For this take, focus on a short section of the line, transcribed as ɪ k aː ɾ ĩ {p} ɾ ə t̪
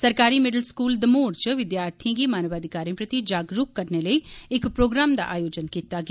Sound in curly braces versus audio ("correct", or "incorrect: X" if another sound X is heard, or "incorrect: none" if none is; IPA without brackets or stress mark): correct